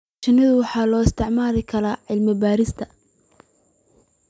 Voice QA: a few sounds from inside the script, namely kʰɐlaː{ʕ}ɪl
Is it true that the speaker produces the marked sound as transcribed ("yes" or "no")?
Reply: yes